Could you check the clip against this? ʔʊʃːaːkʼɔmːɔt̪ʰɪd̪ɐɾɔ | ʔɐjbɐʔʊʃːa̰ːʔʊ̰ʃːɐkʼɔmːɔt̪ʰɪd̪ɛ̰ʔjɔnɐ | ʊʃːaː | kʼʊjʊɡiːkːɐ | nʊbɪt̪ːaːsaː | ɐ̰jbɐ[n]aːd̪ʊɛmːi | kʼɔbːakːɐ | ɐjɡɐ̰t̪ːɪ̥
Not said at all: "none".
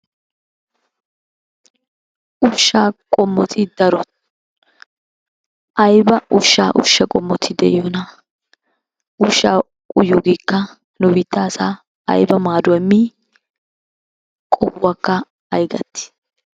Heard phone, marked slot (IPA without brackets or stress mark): m